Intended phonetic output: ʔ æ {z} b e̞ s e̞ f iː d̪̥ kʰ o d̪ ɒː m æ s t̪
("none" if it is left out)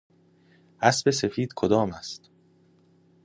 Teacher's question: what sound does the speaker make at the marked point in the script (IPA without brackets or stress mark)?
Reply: s